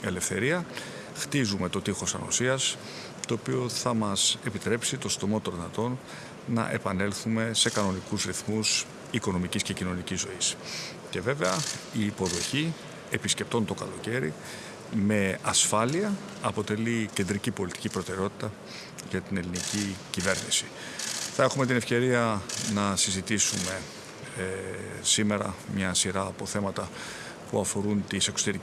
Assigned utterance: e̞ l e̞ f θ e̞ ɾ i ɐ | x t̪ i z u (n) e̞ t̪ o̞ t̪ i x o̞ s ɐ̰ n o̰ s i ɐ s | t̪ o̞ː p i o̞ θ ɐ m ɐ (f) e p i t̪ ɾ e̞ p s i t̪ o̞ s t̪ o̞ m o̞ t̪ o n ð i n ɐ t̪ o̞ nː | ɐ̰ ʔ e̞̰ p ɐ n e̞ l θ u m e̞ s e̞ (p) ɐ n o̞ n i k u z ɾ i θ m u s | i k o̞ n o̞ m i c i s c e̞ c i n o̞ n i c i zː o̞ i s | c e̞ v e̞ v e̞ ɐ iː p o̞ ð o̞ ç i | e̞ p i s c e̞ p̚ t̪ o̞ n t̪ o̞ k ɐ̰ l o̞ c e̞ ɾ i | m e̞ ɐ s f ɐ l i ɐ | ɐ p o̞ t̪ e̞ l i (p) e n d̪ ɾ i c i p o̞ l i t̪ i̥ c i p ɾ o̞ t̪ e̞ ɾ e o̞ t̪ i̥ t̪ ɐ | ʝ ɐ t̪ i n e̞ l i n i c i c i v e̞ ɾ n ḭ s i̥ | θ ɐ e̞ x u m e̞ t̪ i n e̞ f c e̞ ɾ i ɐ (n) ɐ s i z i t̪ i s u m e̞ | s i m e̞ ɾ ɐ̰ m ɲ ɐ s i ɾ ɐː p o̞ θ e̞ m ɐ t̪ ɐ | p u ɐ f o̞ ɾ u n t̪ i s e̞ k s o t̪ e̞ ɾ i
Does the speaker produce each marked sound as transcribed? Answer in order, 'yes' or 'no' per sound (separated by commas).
no, no, no, no, yes